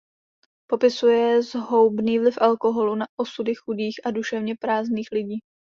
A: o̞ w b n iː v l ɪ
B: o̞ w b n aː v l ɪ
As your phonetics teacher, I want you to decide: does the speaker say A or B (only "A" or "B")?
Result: A